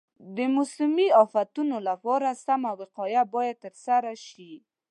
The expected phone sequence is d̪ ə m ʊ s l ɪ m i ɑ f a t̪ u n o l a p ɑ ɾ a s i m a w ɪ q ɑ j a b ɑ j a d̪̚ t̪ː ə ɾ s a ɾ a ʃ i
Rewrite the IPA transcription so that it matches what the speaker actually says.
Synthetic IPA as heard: d̪ ə m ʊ s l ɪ m i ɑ f a t̪ u n o l a p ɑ ɾ a s a m a w ɪ q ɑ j a b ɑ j a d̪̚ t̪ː ə ɾ s a ɾ a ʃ i